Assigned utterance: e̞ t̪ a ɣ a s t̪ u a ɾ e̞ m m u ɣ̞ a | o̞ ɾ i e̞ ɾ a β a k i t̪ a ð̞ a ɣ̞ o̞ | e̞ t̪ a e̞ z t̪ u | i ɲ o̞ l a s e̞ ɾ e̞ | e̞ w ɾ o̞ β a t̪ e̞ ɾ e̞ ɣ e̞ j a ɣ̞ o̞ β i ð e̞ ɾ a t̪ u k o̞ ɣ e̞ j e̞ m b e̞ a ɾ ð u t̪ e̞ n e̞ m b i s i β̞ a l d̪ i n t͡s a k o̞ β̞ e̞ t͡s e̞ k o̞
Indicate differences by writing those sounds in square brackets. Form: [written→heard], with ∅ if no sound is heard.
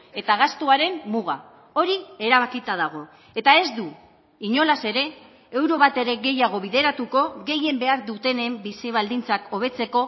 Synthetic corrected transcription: e̞ t̪ a ɣ a s t̪ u a ɾ e̞ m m u ɣ̞ a | o̞ ɾ i e̞ ɾ a β a k i t̪ a ð̞ a ɣ̞ o̞ | e̞ t̪ a e̞ z [t̪→d̪] u | i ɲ o̞ l a s e̞ ɾ e̞ | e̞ w ɾ o̞ β a t̪ e̞ ɾ e̞ ɣ e̞ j a ɣ̞ o̞ β i ð e̞ ɾ a t̪ u k o̞ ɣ e̞ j e̞ m b e̞ a ɾ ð u t̪ e̞ n e̞ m b i s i β̞ a l d̪ i n t͡s a k o̞ β̞ e̞ t͡s e̞ k o̞

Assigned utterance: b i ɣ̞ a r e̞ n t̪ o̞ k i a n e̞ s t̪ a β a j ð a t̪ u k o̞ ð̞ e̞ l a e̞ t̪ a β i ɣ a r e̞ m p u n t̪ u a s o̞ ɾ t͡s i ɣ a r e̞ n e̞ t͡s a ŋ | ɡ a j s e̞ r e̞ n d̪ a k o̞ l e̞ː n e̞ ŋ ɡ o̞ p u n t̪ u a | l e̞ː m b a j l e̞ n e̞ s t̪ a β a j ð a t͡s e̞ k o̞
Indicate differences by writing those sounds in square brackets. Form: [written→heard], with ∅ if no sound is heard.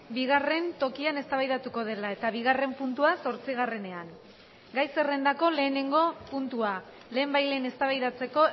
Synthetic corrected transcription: b i ɣ̞ a r e̞ n t̪ o̞ k i a n e̞ s t̪ a β a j ð a t̪ u k o̞ ð̞ e̞ l a e̞ t̪ a β i ɣ a r e̞ m p u n t̪ u a s o̞ ɾ t͡s i ɣ a r e̞ n e̞ [t͡s→∅] a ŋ | ɡ a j s e̞ r e̞ n d̪ a k o̞ l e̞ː n e̞ ŋ ɡ o̞ p u n t̪ u a | l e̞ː m b a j l e̞ n e̞ s t̪ a β a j ð a t͡s e̞ k o̞

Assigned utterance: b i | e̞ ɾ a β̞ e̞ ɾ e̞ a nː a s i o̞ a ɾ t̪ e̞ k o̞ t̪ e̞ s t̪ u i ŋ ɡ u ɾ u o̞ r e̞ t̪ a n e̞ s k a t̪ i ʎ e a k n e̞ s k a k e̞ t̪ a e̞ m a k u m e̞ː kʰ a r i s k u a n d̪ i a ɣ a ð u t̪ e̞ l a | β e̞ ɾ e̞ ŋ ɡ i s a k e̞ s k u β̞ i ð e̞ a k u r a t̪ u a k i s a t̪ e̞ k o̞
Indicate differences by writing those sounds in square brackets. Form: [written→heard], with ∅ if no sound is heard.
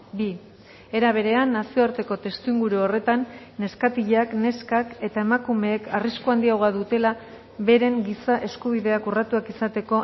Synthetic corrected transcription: b i | e̞ ɾ a β̞ e̞ ɾ e̞ a nː a s i o̞ a ɾ t̪ e̞ k o̞ t̪ e̞ s t̪ u i ŋ ɡ u ɾ u o̞ r e̞ t̪ a [n→nː] e̞ s k a t̪ i ʎ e a k n e̞ s k a k e̞ t̪ a e̞ m a k u m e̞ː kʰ a r i s k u a n d̪ i a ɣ a ð u t̪ e̞ l a | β e̞ ɾ e̞ ŋ ɡ i s a [k→ʔ] e̞ s k u β̞ i ð e̞ a k u r a t̪ u a k i s a t̪ e̞ k o̞

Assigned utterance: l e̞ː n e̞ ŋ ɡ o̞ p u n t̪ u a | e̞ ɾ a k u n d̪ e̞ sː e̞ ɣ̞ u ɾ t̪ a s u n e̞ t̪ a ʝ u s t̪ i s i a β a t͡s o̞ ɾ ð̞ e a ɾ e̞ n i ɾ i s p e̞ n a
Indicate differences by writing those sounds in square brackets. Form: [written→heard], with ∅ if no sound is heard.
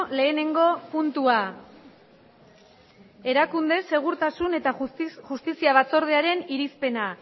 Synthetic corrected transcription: l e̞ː n e̞ ŋ ɡ o̞ p u n t̪ u a | e̞ ɾ a k u n d̪ e̞ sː e̞ ɣ̞ u ɾ t̪ a s u n e̞ t̪ a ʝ u s t̪ i s i a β a t͡s o̞ ɾ ð̞ e a ɾ e̞ n i ɾ i s p e̞ n a

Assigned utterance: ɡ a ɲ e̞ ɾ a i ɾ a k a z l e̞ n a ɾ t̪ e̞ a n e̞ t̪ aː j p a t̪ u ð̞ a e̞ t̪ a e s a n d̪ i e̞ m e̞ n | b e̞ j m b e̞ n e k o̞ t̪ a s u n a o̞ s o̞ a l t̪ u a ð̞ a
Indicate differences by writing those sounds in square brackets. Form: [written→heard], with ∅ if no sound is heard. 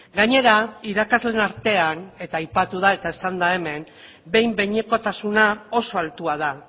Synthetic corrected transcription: ɡ a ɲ e̞ ɾ a i ɾ a k a z l e̞ n a ɾ t̪ e̞ a n e̞ t̪ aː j p a t̪ u ð̞ a e̞ t̪ a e s a n d̪ [i→a] e̞ m e̞ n | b e̞ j m b e̞ [n→ɲ] e k o̞ t̪ a s u n a o̞ s o̞ a l t̪ u a ð̞ a

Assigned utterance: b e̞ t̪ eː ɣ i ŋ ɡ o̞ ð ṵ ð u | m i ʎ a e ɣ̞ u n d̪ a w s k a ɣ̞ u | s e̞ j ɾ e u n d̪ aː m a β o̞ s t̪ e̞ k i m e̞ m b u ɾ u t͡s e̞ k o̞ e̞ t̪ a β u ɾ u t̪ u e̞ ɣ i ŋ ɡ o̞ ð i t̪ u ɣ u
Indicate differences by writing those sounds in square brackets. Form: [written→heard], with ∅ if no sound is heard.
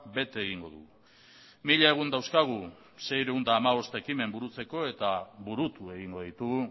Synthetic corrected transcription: b e̞ t̪ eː ɣ i ŋ ɡ o̞ ð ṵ [ð→ɣ] u | m i ʎ a e ɣ̞ u n d̪ a w s k a ɣ̞ u | s e̞ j ɾ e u n d̪ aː m a β o̞ s t̪ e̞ k i m e̞ m b u ɾ u t͡s e̞ k o̞ e̞ t̪ a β u ɾ u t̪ u e̞ ɣ i ŋ ɡ o̞ ð i t̪ u ɣ u

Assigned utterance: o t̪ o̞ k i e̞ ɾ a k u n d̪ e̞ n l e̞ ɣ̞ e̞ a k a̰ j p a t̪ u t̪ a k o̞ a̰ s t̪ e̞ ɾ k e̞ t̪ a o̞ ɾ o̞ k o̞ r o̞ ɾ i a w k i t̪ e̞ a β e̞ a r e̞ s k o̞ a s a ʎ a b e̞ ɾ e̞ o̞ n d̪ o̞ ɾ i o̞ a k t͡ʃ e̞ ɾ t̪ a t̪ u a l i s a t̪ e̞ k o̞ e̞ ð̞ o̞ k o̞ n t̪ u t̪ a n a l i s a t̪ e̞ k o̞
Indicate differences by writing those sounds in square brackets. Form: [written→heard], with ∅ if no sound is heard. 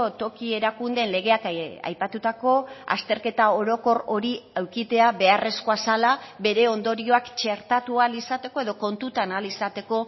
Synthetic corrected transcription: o t̪ o̞ k i e̞ ɾ a k u n d̪ e̞ n l e̞ ɣ̞ e̞ a k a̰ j p a t̪ u t̪ a k o̞ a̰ s t̪ e̞ ɾ k e̞ t̪ a o̞ ɾ o̞ k o̞ r o̞ ɾ i a w k i t̪ e̞ a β e̞ a r e̞ s k o̞ a s a [ʎ→l] a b e̞ ɾ e̞ o̞ n d̪ o̞ ɾ i o̞ a k t͡ʃ e̞ ɾ t̪ a t̪ u a l i s a t̪ e̞ k o̞ e̞ ð̞ o̞ k o̞ n t̪ u t̪ a n a l i s a t̪ e̞ k o̞

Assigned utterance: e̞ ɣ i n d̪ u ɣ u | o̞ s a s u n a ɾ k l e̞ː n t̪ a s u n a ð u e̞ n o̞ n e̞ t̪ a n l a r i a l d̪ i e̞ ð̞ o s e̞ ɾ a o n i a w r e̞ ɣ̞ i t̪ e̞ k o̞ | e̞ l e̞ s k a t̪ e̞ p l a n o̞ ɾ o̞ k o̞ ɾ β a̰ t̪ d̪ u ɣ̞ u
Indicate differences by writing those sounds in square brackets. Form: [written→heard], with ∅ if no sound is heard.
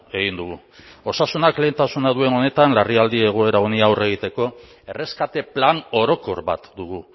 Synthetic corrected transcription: e̞ ɣ i n d̪ u ɣ u | o̞ s a s u n a [ɾ→∅] k l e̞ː n t̪ a s u n a ð u e̞ n o̞ n e̞ t̪ a n l a r i a l d̪ i e̞ [ð̞→ɣ̞] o [s→∅] e̞ ɾ a o n i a w r e̞ ɣ̞ i t̪ e̞ k o̞ | e̞ [l→r] e̞ s k a t̪ e̞ p l a n o̞ ɾ o̞ k o̞ ɾ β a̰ t̪ d̪ u ɣ̞ u

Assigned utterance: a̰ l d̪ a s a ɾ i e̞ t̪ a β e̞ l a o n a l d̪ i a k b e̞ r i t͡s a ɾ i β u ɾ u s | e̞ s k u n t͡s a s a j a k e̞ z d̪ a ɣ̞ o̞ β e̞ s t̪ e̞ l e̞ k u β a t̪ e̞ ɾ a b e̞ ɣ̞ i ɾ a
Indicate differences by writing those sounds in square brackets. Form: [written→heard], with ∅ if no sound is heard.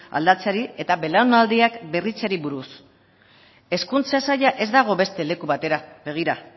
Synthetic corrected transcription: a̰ l d̪ a [s→t͡s] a ɾ i e̞ t̪ a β e̞ l a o n a l d̪ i a k b e̞ r i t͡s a ɾ i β u ɾ u s | e̞ s k u n t͡s a s a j a [k→ʔ] e̞ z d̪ a ɣ̞ o̞ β e̞ s t̪ e̞ l e̞ k u β a t̪ e̞ ɾ a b e̞ ɣ̞ i ɾ a

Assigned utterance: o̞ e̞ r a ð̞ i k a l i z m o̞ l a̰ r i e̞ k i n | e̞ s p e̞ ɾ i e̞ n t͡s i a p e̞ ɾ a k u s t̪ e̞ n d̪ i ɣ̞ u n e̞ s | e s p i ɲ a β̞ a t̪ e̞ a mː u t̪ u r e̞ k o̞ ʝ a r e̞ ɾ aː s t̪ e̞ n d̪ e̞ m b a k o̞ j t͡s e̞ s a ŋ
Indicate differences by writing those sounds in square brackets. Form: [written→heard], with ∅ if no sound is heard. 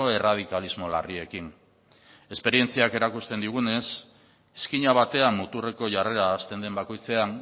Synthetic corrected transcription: o̞ e̞ r a ð̞ i k a l i z m o̞ l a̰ r i e̞ k i n | e̞ s p e̞ ɾ i e̞ n t͡s i a [p→k] e̞ ɾ a k u s t̪ e̞ n d̪ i ɣ̞ u n e̞ s | e s [p→k] i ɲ a β̞ a t̪ e̞ a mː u t̪ u r e̞ k o̞ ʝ a r e̞ ɾ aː s t̪ e̞ n d̪ e̞ m b a k o̞ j t͡s e̞ [s→∅] a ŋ

